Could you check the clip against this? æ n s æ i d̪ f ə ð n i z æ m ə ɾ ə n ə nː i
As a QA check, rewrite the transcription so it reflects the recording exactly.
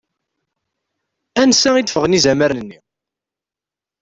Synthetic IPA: æ n s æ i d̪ f ə ʁ n i z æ m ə ɾ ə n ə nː i

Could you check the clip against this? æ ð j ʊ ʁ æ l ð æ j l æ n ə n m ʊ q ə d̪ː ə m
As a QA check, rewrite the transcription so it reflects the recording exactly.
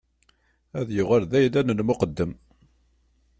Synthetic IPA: æ ð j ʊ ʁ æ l ð æ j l æ n ə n m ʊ q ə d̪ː ə m

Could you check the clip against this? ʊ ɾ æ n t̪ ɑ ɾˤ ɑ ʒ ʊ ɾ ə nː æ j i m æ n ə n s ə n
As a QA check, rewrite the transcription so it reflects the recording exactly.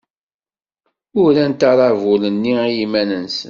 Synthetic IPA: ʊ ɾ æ n t̪ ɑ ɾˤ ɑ v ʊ l ə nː i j i m æ n ə n s ə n

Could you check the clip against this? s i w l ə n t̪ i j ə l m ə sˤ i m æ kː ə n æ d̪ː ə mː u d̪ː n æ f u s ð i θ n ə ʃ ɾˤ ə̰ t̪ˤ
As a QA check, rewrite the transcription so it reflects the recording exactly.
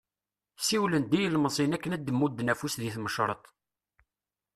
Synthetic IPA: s i w l ə n d̪ i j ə l m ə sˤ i n æ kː ə n æ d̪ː ə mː u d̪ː n æ f u s ð i θ m ə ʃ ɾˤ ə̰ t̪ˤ

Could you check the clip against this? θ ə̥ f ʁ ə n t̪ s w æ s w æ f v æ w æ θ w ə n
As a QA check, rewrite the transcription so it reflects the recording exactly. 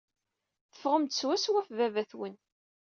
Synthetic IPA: θ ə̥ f ʁ ə m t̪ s w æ s w æ f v æ v æ θ w ə n

